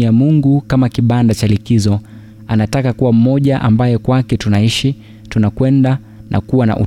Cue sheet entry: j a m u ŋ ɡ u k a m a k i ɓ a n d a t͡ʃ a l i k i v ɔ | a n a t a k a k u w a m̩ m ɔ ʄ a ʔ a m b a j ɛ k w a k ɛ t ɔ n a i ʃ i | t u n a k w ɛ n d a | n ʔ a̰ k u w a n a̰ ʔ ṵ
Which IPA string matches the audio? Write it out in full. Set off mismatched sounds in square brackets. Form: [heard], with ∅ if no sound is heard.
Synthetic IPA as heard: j a m u ŋ ɡ u k a m a k i ɓ a n d a t͡ʃ a l i k i [z] ɔ | a n a t a k a k u w a m̩ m ɔ ʄ a ʔ a m b a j ɛ k w a k ɛ t [u] n a i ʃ i | t u n a k w ɛ n d a | n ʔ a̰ k u w a n a̰ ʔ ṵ